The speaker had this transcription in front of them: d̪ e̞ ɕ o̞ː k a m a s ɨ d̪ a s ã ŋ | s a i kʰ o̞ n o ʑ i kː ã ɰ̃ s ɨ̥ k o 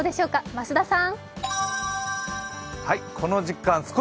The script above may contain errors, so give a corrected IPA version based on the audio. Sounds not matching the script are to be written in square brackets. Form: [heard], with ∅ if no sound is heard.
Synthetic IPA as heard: d̪ e̞ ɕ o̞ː k a m a s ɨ d̪ a s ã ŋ | [h] a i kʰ o̞ n o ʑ i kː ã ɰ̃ s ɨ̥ k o